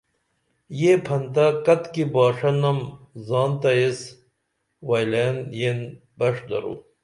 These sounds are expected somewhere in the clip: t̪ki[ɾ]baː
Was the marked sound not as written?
yes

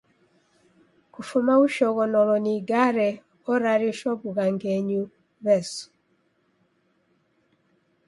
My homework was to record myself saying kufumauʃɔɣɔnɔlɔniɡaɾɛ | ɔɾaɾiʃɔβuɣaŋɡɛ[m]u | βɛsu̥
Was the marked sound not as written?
yes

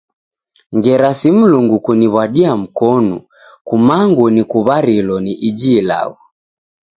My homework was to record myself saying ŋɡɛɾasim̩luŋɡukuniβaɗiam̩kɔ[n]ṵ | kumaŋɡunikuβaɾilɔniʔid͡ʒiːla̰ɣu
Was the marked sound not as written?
no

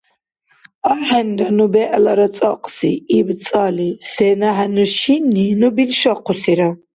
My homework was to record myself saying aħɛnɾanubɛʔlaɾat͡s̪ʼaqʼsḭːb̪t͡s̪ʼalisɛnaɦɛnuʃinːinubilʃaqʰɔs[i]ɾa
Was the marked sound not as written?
no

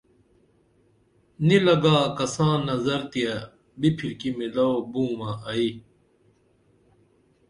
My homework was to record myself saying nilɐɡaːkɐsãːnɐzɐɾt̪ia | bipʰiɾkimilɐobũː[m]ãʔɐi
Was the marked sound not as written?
no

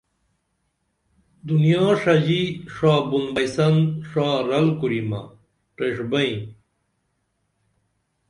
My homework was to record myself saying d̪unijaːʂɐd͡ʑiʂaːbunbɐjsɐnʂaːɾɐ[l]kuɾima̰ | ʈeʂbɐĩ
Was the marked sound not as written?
no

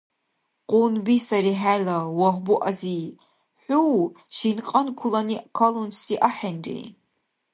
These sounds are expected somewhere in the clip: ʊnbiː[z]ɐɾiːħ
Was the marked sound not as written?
yes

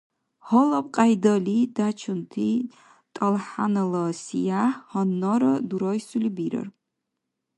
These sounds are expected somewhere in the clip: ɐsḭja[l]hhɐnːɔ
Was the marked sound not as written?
yes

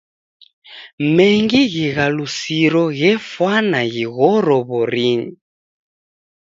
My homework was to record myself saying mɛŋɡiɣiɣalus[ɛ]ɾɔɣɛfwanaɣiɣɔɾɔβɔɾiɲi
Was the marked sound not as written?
yes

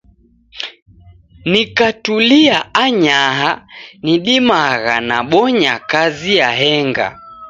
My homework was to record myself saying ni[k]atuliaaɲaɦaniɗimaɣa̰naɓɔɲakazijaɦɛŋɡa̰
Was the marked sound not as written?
no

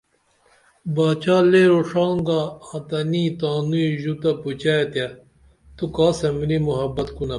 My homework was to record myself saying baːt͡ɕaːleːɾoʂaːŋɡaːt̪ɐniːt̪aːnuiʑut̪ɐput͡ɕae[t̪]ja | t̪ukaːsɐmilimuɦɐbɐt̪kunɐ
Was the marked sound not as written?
no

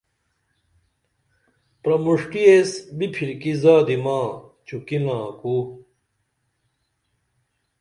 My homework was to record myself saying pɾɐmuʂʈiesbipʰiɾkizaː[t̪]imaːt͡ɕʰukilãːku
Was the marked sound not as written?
yes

